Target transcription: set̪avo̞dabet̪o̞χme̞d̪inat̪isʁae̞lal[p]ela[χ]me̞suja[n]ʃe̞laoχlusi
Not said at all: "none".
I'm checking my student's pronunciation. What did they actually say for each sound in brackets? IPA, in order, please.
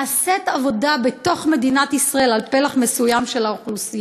p, χ, m

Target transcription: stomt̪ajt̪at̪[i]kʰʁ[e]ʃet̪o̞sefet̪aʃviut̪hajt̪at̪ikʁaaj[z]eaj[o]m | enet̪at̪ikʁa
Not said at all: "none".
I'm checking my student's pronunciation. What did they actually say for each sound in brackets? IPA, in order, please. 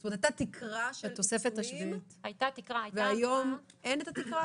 i, a, v, o

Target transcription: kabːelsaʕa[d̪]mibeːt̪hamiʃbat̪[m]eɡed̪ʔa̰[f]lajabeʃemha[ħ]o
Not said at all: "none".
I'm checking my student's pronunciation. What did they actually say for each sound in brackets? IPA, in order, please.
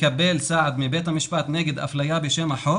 d̪, n, f, ħ

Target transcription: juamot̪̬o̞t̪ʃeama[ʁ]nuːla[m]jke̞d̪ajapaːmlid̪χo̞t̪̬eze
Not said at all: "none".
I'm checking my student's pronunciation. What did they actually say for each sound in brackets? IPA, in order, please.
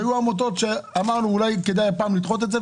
ʁ, none

